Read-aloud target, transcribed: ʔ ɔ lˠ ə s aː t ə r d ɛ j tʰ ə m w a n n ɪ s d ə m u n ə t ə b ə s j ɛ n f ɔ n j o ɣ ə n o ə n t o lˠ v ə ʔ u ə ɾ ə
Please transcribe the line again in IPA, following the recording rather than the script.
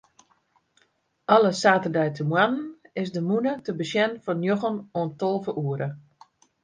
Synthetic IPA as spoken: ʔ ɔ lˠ ə s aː t ə r d ɛ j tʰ ə m w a n n ɪ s d ə m u n ə t ə b ə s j ɛ n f ɔ n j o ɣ ə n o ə n t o lˠ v ə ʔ u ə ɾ ə